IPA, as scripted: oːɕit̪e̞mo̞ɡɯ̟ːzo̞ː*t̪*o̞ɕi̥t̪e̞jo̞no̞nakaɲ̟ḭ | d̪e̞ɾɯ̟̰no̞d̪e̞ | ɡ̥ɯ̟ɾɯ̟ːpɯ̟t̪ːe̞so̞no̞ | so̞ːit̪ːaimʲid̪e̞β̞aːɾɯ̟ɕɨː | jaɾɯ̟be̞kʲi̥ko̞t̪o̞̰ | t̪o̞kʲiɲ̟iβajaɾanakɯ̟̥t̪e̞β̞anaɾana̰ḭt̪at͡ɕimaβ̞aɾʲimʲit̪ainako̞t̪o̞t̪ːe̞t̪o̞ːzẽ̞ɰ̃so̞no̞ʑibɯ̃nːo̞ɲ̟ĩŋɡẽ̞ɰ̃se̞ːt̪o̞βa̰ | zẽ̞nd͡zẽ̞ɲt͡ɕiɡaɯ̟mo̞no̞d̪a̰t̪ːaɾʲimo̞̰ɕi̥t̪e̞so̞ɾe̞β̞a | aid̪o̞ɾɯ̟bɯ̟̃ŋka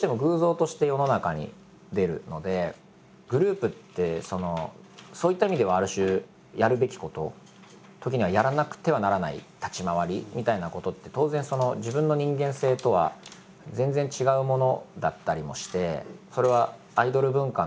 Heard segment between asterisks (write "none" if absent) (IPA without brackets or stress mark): t̪